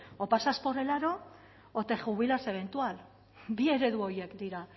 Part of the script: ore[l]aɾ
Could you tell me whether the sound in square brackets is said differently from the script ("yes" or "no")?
no